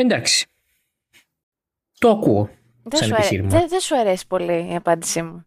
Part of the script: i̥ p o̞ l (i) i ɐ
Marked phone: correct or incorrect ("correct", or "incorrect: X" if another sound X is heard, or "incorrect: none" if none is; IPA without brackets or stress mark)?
correct